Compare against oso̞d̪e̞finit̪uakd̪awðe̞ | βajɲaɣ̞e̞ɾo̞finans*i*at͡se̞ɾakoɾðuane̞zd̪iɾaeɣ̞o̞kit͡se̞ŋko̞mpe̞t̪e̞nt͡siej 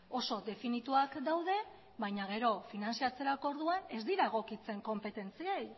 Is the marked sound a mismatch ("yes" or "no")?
no